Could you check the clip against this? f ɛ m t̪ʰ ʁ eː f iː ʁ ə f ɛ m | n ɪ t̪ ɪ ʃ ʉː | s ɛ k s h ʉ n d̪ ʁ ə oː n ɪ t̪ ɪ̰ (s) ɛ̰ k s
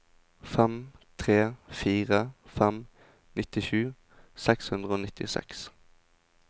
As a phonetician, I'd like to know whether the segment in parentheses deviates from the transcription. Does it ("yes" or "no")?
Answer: no